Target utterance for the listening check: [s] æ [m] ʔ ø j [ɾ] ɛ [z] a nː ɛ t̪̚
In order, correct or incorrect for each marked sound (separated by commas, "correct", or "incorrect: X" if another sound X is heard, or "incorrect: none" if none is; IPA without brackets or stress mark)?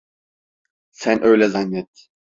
correct, incorrect: n, incorrect: l, correct